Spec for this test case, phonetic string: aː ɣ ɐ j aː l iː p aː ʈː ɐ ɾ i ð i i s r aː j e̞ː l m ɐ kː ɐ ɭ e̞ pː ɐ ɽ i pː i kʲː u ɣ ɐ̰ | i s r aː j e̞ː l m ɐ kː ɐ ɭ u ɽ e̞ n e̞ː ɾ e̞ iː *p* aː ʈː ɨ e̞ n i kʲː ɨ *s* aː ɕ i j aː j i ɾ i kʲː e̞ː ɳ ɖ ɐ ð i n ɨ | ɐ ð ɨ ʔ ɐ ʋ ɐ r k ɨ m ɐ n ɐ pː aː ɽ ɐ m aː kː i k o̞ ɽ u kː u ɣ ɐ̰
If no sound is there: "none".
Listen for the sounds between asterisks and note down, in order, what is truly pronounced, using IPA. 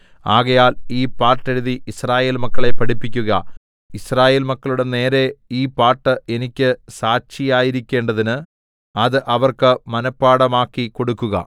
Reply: p, s

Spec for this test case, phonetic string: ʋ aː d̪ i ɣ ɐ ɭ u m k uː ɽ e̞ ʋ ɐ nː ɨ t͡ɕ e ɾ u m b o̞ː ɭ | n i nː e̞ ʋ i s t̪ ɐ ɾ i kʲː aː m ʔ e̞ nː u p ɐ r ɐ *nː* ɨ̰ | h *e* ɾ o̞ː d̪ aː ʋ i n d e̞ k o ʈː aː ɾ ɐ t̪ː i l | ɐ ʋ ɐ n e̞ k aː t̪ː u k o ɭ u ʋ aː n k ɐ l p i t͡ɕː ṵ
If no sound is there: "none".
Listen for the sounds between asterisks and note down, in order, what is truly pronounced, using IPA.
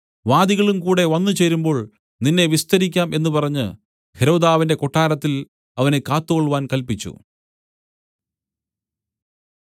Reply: ɲː, e

